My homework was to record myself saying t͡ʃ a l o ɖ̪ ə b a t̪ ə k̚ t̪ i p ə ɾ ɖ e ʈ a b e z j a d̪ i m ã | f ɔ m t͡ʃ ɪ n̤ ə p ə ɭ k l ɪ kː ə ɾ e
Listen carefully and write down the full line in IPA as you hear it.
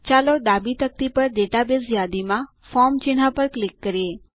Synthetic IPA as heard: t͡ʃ a l o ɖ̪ a b i t̪ ə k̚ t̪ i p ə ɾ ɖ e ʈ a b e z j a d̪ i m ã | f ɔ m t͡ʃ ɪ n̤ a p ə ɾ k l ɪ kː ə ɾ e

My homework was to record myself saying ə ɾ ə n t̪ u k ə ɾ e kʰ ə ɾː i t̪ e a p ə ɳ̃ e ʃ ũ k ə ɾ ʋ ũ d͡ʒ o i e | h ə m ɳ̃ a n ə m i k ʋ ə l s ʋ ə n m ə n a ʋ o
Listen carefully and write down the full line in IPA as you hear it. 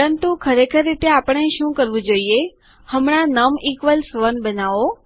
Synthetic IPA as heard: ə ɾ ə n t̪ u kʰ ə ɾ e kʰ ə ɾː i t̪ e a p ə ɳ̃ e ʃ ũ k ə ɾ ʋ ũ d͡ʒ o i e | h ə m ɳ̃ a n ə m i k ʋ ə l s ʋ ə n b ə n a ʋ o

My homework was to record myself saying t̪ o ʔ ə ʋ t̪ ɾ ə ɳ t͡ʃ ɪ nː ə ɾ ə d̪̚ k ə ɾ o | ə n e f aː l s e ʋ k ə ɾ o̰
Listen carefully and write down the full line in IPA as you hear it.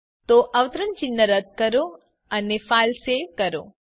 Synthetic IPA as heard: t̪ o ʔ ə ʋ t̪ ɾ ə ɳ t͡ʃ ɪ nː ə ɾ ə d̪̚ k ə ɾ o | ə n e f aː l s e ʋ k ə ɾ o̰

